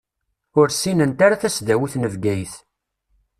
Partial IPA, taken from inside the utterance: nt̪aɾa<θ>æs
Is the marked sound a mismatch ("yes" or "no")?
no